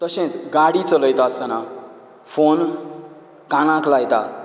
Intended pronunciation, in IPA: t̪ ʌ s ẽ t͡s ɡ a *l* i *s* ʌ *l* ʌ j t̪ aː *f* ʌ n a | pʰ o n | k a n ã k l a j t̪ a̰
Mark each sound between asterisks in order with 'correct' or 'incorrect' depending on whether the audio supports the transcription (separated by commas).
incorrect, incorrect, correct, incorrect